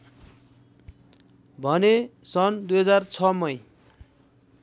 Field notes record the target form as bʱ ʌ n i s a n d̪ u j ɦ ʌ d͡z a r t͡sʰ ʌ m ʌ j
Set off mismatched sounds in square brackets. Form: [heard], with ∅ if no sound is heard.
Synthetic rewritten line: bʱ ʌ n [e] s [ʌ] n d̪ u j ɦ ʌ d͡z a r t͡sʰ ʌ m ʌ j